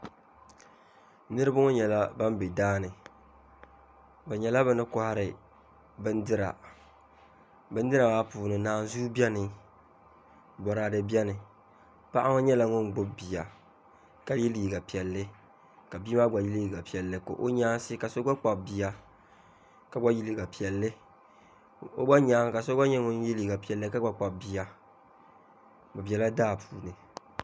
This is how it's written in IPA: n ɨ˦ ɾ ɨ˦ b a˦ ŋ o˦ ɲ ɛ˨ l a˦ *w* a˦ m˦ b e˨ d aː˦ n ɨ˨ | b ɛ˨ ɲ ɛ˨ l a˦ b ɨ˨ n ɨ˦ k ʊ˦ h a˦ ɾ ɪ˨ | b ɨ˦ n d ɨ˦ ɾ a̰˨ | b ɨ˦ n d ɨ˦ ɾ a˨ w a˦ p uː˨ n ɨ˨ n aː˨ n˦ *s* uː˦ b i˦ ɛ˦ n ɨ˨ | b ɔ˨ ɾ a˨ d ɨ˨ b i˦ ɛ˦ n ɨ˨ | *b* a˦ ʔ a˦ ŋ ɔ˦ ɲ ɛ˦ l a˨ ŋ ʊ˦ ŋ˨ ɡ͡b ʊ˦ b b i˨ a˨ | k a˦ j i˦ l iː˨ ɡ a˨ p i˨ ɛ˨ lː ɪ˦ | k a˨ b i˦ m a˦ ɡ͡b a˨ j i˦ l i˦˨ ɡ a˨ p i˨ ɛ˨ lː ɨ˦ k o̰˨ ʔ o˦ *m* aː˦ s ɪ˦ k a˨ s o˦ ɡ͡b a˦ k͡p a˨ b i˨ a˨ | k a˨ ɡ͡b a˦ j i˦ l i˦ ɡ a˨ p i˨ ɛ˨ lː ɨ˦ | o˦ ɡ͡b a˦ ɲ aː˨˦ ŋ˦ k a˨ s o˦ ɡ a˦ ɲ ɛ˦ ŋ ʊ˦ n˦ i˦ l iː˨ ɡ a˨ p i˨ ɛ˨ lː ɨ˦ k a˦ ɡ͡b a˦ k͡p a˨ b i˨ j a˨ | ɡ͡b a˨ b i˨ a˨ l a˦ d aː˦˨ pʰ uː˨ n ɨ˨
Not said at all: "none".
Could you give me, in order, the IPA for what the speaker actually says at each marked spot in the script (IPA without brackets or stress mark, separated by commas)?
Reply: b, z, p, ɲ